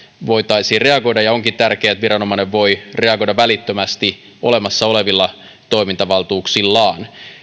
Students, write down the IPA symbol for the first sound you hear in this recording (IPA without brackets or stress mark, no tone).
ʋ